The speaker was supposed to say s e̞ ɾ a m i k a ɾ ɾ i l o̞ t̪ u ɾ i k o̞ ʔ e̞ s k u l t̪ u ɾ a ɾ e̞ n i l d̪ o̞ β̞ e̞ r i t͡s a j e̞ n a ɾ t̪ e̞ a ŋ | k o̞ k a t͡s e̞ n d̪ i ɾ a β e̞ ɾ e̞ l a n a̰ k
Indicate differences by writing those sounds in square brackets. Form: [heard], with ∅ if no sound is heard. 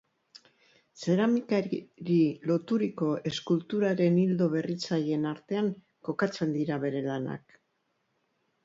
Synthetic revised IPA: s e̞ ɾ a m i k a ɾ ɾ i l o̞ t̪ u ɾ i k o̞ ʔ e̞ s k u l t̪ u ɾ a ɾ e̞ n i l d̪ o̞ β̞ e̞ r i t͡s a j e̞ n a ɾ t̪ e̞ a ŋ | k o̞ k a t͡s e̞ n d̪ i ɾ a β e̞ ɾ e̞ l a n a̰ k